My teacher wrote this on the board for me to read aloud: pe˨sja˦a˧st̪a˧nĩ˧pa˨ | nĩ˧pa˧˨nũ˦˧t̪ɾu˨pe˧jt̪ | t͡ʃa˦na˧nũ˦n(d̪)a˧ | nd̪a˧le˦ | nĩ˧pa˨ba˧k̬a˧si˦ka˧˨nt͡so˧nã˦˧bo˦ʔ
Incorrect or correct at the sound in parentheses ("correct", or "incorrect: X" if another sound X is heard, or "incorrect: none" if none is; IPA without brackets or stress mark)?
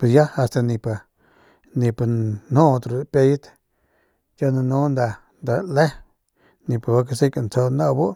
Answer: correct